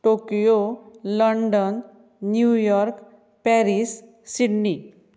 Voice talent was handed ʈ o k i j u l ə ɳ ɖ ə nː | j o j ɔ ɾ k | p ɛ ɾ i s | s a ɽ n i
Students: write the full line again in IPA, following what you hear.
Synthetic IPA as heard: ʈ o k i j o l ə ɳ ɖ ə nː | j u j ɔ ɾ k | p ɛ ɾ i s | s i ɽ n i